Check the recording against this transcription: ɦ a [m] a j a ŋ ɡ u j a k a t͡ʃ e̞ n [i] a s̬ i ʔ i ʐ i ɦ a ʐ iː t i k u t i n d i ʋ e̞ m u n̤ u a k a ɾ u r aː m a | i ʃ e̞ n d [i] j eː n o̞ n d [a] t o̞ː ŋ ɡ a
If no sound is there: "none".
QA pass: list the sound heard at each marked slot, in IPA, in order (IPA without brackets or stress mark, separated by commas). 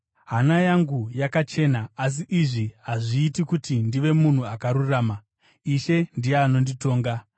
n, a, i, i